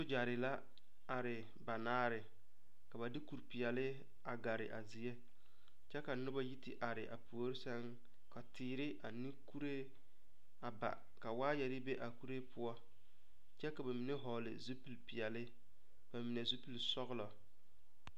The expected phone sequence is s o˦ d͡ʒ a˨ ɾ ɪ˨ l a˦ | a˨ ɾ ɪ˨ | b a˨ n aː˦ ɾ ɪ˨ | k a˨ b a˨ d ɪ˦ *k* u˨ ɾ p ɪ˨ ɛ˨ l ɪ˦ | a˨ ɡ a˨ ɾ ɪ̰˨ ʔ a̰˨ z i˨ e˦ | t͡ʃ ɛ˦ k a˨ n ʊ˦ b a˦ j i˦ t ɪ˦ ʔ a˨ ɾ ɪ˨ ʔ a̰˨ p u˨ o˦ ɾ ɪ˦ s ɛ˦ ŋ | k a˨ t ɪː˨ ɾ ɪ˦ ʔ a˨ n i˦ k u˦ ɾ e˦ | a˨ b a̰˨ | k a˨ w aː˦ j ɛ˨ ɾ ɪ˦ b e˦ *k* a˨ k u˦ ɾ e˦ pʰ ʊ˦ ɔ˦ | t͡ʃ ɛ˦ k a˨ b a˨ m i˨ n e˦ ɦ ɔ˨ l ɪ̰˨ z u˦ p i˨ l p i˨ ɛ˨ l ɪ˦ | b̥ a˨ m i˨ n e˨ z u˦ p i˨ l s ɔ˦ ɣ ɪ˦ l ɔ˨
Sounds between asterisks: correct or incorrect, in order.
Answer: correct, incorrect

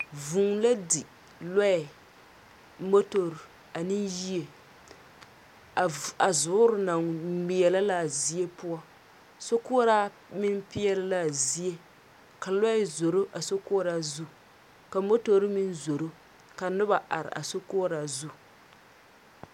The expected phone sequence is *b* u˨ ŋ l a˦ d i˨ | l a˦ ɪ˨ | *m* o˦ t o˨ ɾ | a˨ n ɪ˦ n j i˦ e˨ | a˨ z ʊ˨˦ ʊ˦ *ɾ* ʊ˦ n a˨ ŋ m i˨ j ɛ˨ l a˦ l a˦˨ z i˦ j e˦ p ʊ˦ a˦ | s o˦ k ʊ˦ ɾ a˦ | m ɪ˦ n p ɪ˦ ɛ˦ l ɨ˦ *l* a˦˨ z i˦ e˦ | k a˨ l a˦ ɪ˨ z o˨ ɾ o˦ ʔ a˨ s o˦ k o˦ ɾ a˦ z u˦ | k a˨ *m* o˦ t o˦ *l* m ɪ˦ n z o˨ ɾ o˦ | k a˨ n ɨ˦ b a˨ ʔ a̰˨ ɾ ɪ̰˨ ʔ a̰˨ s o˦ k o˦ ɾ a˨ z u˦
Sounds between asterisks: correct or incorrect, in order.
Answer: incorrect, correct, correct, correct, correct, incorrect

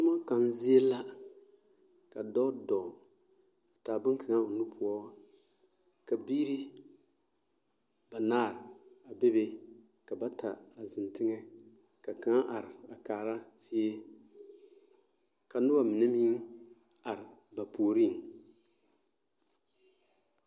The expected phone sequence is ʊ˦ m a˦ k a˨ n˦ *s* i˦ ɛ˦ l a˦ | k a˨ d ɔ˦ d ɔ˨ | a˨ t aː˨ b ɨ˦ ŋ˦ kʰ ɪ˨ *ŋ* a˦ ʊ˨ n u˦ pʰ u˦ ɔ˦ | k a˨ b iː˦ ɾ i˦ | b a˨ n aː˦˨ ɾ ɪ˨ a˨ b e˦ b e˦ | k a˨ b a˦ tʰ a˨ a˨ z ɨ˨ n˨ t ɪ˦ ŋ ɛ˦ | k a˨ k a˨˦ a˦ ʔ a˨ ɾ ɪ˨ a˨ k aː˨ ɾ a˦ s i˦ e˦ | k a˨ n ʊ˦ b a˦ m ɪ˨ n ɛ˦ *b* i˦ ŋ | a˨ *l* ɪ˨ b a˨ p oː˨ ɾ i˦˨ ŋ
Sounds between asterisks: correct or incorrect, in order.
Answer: incorrect, correct, incorrect, incorrect

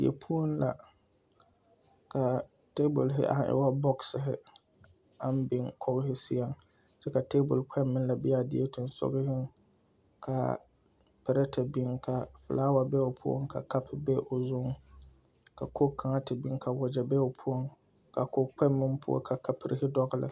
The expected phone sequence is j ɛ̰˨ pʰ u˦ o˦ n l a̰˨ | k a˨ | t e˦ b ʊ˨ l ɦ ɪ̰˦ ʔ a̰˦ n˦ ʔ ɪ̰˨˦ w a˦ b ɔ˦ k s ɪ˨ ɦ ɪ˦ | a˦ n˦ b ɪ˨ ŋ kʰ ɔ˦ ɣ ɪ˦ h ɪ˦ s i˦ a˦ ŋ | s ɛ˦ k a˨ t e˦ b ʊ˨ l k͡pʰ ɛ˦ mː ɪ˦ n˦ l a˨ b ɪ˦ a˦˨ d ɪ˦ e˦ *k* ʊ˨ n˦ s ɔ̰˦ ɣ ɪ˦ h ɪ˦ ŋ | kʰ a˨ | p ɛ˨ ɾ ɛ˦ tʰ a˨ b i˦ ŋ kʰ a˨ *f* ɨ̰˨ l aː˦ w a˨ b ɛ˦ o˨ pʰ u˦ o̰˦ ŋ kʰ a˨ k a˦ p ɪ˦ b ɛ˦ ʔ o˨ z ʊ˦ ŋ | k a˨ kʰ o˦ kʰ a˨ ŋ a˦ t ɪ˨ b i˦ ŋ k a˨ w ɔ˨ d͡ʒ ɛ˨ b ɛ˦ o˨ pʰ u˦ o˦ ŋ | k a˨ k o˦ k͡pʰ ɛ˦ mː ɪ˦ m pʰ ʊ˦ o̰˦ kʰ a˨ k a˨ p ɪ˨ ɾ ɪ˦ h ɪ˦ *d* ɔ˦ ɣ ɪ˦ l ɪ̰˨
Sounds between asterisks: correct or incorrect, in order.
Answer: incorrect, correct, correct

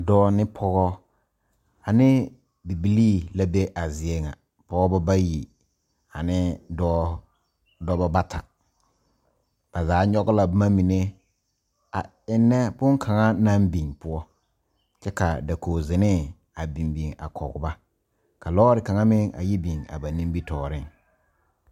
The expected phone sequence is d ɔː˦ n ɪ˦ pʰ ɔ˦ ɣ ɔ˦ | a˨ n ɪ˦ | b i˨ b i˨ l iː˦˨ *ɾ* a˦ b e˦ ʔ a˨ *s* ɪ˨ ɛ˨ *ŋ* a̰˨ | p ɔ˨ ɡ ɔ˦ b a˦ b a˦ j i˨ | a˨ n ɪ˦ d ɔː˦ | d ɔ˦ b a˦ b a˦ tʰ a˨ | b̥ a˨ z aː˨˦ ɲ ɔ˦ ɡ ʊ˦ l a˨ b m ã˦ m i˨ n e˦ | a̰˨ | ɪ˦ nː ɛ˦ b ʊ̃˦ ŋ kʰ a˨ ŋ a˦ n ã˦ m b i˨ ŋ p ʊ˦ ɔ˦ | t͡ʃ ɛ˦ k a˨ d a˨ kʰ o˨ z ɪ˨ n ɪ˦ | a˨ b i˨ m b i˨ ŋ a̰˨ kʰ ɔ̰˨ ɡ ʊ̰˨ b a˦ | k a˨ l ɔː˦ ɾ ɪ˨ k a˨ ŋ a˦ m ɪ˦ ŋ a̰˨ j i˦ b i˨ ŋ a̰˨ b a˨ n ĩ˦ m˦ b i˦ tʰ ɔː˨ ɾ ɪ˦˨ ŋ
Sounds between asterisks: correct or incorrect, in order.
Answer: incorrect, incorrect, correct

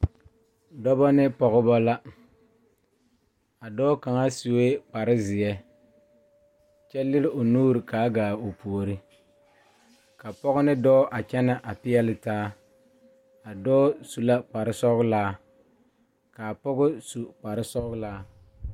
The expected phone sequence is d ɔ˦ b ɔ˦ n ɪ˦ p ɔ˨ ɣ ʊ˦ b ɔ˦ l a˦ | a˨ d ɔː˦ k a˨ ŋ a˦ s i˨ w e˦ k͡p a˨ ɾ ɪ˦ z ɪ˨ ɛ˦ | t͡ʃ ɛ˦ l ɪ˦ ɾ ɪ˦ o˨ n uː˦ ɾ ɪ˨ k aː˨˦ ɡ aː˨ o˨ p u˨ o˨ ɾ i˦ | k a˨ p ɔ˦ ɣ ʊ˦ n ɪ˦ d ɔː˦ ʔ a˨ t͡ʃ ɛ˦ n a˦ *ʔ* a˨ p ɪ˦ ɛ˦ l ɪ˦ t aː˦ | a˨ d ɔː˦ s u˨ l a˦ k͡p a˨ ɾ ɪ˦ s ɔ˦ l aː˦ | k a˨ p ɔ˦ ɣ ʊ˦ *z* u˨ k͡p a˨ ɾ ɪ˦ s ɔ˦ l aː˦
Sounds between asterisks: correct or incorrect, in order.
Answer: correct, incorrect

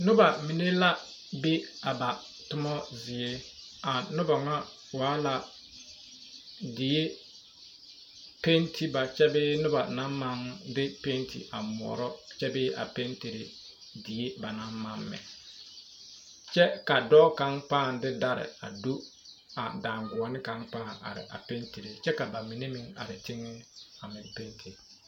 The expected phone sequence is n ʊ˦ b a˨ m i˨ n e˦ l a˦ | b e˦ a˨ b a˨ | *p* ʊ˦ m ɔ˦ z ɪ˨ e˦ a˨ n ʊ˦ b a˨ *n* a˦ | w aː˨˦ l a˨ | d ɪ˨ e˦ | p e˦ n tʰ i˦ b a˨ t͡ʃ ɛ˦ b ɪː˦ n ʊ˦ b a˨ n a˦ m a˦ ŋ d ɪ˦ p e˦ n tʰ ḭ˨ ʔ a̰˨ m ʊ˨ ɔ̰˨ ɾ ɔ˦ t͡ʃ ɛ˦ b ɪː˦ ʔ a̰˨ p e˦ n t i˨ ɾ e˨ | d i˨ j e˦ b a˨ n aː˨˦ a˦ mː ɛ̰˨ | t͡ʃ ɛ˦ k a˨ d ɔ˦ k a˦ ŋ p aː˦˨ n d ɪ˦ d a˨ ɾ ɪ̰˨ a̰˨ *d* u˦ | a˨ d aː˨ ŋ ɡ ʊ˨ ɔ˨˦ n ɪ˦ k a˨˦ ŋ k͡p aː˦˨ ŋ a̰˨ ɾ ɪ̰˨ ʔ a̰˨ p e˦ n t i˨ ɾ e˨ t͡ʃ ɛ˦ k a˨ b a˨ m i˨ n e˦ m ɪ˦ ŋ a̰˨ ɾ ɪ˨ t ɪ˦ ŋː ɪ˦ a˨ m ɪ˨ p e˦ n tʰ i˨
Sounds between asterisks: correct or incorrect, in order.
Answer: incorrect, incorrect, correct

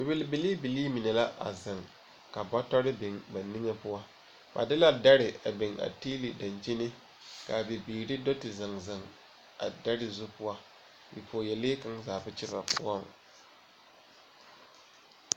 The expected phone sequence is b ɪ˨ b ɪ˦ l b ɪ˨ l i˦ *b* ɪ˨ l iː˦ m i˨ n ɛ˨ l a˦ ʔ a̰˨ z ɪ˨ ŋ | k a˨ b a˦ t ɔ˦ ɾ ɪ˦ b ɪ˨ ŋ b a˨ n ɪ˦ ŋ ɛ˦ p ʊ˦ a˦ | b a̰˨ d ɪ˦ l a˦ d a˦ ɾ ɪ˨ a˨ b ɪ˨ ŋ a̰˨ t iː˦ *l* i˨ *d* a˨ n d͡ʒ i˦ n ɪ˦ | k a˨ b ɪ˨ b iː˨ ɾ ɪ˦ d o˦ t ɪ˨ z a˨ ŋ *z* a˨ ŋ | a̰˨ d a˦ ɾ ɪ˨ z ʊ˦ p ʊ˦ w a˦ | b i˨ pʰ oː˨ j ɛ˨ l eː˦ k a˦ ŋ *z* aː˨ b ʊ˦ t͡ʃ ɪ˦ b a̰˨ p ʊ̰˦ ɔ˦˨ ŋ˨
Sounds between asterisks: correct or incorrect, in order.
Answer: correct, correct, correct, correct, correct

